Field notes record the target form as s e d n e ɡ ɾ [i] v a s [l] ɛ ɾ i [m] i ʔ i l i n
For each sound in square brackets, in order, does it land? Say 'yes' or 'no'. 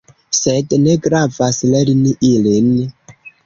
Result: no, yes, no

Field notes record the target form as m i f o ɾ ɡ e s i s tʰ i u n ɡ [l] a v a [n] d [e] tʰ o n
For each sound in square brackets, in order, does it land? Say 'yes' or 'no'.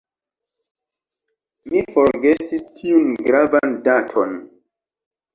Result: no, yes, no

